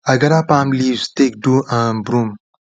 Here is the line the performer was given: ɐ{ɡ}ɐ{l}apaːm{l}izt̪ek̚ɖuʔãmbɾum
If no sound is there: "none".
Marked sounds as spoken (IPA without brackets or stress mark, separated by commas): ɡ, ɾ, l